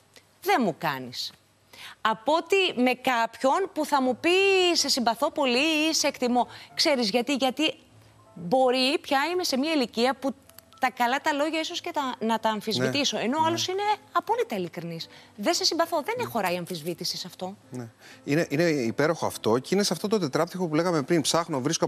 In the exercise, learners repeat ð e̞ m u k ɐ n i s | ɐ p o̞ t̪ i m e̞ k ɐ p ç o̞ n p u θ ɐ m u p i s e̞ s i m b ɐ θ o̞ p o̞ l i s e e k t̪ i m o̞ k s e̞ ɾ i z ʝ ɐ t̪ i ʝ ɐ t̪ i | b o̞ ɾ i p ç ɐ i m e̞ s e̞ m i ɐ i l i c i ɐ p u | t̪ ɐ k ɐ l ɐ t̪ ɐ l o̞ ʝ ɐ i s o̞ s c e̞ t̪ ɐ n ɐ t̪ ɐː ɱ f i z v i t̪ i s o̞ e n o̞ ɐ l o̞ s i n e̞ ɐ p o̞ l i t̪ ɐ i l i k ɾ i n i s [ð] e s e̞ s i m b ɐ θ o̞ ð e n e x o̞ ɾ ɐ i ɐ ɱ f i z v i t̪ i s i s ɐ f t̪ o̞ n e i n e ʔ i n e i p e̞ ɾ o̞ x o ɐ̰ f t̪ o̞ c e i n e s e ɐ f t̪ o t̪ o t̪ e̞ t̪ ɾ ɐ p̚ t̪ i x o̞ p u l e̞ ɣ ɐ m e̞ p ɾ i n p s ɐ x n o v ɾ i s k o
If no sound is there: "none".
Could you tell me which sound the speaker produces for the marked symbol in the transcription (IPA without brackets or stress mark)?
ð